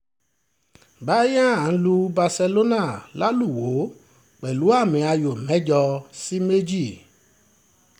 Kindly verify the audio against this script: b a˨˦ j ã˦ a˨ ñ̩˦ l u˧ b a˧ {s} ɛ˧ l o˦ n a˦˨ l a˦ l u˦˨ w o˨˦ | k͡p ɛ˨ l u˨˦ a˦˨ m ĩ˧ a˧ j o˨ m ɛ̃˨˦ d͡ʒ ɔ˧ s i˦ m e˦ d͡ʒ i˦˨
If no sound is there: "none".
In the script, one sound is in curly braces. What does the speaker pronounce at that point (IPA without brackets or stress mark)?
s